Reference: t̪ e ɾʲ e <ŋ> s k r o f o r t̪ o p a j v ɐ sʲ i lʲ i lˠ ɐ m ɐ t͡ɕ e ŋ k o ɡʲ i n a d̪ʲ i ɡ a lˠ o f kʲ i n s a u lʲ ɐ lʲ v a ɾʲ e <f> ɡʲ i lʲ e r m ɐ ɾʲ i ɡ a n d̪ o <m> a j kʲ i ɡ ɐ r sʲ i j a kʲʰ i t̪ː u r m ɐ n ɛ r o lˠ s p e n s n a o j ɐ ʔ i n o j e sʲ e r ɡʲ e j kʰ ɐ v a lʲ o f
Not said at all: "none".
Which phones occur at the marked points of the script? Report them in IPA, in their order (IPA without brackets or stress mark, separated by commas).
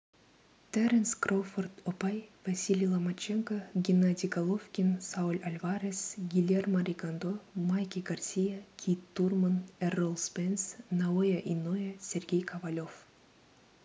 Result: n, s, m